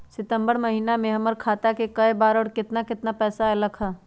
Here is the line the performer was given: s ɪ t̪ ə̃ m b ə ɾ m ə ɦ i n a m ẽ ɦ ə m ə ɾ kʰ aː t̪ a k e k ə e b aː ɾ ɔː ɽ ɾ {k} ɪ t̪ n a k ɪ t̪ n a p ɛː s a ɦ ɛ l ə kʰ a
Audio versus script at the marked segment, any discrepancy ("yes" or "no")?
no